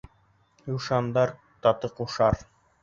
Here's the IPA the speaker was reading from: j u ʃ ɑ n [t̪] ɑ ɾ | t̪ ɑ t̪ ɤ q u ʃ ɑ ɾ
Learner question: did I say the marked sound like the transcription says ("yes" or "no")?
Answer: no